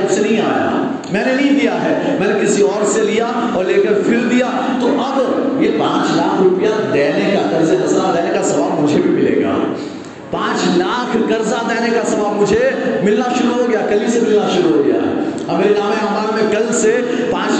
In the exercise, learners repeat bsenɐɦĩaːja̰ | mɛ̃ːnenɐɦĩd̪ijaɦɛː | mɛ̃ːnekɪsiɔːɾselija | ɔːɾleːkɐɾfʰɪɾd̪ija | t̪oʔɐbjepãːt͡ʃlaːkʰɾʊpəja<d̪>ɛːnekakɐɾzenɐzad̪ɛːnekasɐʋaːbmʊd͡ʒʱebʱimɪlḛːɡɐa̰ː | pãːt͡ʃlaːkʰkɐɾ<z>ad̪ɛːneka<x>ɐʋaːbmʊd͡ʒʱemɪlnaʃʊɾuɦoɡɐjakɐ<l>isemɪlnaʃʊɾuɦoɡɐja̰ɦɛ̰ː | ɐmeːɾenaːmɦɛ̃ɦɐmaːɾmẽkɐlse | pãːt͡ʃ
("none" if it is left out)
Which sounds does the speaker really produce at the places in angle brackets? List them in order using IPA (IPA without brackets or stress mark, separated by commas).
d̪, z, s, l